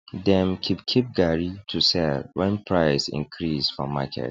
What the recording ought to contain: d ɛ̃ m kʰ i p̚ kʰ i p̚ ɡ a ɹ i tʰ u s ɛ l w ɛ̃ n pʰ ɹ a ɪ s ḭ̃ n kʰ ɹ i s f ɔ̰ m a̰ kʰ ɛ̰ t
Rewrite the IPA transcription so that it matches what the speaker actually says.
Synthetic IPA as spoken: d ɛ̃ m kʰ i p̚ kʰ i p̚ ɡ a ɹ i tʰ u s ɛ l w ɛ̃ n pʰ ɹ a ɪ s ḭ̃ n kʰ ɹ i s f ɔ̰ m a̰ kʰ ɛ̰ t